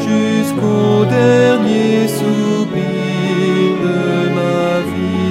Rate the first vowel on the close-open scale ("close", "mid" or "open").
close